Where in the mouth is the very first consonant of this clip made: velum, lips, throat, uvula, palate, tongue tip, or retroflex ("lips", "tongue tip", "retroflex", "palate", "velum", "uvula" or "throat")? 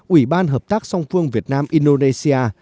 throat